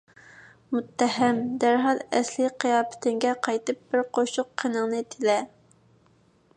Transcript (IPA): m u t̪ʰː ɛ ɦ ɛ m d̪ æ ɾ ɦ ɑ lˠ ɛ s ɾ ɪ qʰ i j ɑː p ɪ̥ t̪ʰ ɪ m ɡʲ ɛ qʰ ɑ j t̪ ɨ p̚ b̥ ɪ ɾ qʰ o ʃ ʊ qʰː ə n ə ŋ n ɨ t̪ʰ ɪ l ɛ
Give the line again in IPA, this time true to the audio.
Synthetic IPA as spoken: m u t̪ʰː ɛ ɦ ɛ m d̪ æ ɾ ɦ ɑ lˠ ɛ s l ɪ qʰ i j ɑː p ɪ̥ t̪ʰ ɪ ŋ ɡʲ ɛ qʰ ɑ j t̪ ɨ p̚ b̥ ɪ ɾ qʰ o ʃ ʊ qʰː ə n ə ŋ n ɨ t̪ʰ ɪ l ɛ